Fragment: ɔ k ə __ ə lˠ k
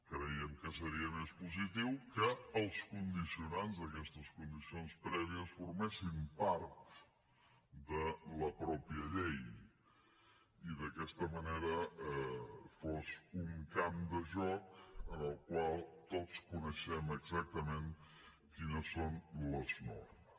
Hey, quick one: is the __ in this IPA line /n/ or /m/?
n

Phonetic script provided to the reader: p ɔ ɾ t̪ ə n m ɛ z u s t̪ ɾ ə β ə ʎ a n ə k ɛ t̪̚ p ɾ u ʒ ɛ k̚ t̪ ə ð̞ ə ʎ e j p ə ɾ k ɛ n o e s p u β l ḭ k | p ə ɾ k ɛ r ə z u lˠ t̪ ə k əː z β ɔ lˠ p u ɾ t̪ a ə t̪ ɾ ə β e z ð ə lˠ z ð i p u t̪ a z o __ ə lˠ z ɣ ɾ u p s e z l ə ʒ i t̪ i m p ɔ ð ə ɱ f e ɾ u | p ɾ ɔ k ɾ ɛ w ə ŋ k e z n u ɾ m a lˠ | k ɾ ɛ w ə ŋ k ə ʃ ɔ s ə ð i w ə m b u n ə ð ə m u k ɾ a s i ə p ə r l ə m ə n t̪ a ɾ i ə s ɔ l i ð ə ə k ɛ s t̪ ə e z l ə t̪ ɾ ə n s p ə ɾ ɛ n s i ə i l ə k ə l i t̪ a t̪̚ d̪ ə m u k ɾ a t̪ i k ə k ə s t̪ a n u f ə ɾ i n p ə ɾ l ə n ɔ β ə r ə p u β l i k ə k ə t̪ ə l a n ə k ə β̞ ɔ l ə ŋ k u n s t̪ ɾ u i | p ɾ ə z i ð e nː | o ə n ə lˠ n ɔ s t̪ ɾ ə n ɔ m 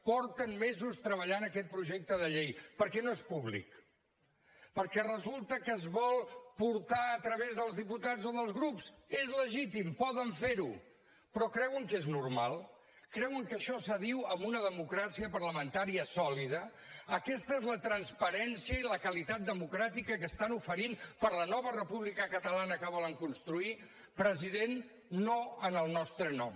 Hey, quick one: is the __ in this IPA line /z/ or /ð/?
ð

